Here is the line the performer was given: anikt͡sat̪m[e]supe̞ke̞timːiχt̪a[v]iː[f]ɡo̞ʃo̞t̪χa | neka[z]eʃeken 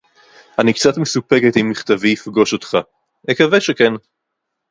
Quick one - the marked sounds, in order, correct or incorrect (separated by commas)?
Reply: correct, correct, correct, incorrect